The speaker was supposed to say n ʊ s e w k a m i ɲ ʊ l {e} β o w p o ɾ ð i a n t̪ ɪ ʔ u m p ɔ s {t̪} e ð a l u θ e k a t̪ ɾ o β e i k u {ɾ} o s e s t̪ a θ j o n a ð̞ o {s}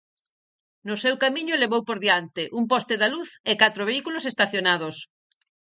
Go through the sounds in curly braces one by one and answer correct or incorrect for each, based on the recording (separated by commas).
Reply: correct, correct, incorrect, correct